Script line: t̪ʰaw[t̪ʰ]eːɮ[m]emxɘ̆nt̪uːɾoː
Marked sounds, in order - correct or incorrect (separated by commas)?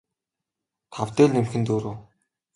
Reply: incorrect, incorrect